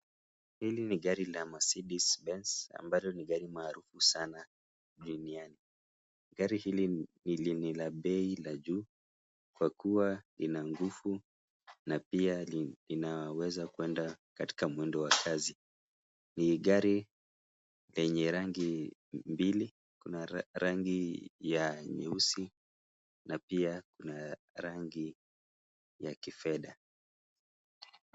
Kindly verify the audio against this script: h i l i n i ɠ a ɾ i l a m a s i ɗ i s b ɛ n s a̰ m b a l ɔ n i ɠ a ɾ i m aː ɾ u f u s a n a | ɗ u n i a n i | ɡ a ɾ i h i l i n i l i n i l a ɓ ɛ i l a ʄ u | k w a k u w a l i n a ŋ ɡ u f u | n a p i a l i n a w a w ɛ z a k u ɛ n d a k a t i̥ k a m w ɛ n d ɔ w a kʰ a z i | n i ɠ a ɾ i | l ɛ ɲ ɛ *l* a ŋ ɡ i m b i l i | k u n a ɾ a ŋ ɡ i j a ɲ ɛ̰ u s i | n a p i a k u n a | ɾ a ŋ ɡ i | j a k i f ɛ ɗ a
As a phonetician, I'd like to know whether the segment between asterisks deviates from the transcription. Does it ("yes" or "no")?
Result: yes